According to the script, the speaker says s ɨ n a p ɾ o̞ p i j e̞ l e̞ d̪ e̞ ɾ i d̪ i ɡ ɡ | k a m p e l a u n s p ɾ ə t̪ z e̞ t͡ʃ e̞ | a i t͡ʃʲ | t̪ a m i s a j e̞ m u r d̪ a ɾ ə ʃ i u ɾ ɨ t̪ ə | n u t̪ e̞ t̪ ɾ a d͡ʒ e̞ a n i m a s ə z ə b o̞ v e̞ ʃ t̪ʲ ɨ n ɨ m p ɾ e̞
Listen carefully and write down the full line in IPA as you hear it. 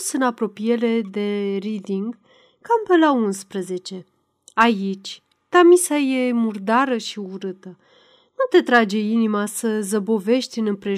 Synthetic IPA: s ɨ n a p ɾ o̞ p i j e̞ l e̞ d̪ e̞ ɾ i d̪ i ŋ ɡ | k a m p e l a u n s p ɾ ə z e̞ t͡ʃ e̞ | a i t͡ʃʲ | t̪ a m i s a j e̞ m u r d̪ a ɾ ə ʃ i u ɾ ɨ t̪ ə | n u t̪ e̞ t̪ ɾ a d͡ʒ e̞ i n i m a s ə z ə b o̞ v e̞ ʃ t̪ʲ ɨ n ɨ m p ɾ e̞